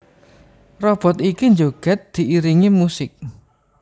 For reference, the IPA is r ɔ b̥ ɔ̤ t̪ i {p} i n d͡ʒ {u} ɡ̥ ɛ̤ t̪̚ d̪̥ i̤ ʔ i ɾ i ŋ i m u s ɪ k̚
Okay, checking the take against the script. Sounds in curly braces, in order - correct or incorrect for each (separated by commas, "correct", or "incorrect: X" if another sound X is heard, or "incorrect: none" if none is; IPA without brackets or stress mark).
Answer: incorrect: k, incorrect: o